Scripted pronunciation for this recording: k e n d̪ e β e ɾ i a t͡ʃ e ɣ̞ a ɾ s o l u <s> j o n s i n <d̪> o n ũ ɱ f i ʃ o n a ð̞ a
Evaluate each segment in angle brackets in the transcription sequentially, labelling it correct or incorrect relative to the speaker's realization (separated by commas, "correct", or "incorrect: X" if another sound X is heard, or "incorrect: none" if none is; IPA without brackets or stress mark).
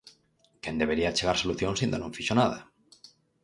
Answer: incorrect: θ, correct